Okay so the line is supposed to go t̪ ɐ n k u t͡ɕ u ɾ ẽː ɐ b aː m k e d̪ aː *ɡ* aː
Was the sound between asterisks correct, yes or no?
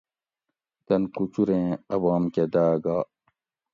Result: yes